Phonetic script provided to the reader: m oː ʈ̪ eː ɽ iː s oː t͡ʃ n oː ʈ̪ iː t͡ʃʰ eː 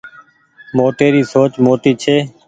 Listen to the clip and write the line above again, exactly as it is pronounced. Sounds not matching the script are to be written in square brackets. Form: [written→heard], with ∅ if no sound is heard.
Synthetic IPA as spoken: m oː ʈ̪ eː [ɽ→ɾ] iː s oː t͡ʃ [n→m] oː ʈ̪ iː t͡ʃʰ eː

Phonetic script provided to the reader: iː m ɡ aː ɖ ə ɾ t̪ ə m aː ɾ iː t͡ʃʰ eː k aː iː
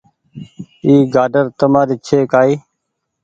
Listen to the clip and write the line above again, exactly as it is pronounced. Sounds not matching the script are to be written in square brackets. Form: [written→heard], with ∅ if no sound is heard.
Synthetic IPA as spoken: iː [m→∅] ɡ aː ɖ ə ɾ t̪ ə m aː ɾ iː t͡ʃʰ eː k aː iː

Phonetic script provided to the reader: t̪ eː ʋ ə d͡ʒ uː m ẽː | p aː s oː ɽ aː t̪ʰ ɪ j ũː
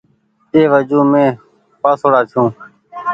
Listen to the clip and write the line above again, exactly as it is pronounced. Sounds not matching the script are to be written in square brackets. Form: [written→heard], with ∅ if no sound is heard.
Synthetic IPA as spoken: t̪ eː ʋ ə d͡ʒ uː m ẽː | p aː s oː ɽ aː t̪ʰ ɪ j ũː

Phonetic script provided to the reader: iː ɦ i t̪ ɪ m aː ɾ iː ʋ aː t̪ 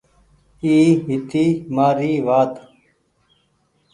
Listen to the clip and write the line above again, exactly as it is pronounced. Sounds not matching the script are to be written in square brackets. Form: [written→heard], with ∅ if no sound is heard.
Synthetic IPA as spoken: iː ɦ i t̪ [ɪ→i] m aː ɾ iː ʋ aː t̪

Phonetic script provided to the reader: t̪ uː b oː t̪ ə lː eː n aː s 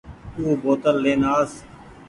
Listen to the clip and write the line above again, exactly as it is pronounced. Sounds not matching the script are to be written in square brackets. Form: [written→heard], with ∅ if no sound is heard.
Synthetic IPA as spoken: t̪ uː b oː t̪ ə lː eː n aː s

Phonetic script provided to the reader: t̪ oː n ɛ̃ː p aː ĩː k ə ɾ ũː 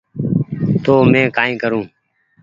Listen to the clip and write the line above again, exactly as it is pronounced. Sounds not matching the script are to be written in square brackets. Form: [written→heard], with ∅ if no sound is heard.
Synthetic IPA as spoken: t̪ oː [n→m] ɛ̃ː [p→k] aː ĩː k ə ɾ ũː

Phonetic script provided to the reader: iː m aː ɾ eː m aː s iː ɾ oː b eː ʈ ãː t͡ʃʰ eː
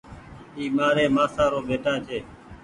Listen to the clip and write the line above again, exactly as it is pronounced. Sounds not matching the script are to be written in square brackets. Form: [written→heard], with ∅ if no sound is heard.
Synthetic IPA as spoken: iː m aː ɾ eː m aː s [iː→aː] ɾ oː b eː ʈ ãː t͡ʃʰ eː

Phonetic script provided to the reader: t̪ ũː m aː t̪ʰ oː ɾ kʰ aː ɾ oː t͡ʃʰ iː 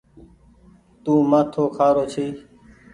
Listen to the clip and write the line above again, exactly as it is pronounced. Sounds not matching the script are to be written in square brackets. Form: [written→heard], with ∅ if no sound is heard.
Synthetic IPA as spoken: t̪ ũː m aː t̪ʰ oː [ɾ→∅] kʰ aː ɾ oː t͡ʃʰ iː

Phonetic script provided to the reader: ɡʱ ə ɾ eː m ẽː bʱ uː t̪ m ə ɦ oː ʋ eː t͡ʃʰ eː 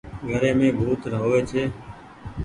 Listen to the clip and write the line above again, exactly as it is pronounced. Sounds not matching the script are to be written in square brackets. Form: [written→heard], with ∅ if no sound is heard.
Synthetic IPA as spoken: ɡʱ ə ɾ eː m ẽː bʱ uː t̪ [m→n] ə ɦ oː ʋ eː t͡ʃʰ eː

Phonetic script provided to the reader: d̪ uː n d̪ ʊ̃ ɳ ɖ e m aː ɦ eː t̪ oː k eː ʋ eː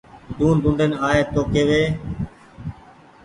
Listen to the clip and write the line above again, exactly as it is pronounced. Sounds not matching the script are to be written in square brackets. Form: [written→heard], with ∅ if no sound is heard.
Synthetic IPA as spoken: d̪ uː n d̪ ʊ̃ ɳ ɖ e [m→n] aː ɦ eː t̪ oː k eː ʋ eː

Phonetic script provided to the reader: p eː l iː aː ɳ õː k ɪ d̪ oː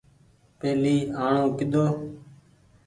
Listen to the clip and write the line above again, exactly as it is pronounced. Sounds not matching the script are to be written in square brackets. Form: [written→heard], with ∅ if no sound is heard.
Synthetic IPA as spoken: p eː l iː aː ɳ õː k ɪ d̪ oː

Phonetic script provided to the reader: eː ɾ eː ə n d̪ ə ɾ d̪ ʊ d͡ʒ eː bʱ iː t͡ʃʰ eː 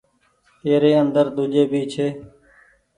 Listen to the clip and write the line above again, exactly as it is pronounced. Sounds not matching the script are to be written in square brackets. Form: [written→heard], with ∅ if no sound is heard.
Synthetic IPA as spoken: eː ɾ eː ə n d̪ ə ɾ d̪ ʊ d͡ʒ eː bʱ iː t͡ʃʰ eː

